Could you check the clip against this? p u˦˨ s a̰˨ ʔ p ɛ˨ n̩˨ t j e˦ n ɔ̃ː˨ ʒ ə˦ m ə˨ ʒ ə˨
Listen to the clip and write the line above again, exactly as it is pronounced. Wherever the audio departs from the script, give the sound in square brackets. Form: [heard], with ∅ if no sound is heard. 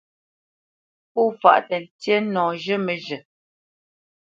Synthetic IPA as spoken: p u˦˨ [f] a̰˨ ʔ [t] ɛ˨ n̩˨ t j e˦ n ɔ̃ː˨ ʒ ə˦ m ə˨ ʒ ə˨